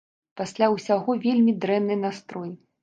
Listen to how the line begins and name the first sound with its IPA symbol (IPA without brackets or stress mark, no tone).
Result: p